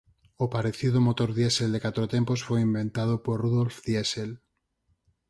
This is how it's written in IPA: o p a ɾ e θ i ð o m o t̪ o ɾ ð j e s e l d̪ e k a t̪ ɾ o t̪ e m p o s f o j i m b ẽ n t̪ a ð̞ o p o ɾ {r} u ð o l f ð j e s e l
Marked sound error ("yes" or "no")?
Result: no